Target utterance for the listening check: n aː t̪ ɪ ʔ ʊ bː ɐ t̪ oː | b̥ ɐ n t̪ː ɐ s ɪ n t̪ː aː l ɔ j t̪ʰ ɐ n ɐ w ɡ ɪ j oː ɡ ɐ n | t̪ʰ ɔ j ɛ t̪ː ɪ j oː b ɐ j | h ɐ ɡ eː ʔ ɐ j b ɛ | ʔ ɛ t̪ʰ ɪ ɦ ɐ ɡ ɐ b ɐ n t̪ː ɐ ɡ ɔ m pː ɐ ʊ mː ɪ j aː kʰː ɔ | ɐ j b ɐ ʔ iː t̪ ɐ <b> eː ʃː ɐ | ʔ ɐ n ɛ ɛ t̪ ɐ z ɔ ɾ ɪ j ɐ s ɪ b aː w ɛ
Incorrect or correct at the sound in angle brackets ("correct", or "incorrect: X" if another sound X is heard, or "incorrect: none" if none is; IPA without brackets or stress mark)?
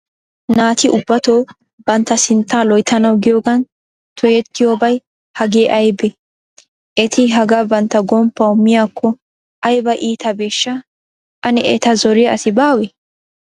correct